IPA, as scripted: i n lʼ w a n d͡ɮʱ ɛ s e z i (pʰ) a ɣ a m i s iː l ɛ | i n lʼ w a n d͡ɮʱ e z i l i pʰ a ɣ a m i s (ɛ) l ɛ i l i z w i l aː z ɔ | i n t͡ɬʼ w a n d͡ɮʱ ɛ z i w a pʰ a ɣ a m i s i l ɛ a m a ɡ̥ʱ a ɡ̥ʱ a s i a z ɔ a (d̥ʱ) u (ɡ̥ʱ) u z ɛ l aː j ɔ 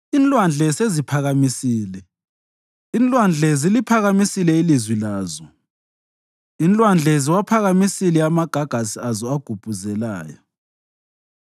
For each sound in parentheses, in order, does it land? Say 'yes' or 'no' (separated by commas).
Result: yes, no, no, no